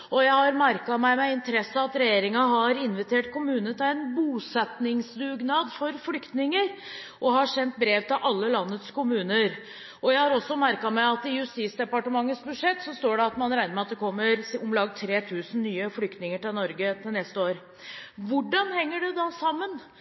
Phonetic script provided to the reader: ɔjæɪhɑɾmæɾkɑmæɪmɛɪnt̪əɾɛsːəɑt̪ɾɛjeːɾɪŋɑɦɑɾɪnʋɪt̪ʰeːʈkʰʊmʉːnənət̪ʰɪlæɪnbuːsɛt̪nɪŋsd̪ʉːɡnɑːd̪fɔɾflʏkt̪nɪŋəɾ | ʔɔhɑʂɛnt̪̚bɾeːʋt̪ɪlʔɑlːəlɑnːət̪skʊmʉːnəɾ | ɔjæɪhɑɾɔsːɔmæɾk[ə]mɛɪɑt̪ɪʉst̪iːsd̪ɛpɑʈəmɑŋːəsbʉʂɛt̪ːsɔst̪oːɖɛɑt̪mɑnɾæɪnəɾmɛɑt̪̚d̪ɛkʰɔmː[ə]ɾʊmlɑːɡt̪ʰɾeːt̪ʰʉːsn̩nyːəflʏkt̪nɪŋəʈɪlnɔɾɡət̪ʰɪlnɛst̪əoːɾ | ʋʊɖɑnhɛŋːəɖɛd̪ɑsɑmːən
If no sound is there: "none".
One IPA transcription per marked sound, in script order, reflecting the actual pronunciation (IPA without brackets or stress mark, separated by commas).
ɑ, ə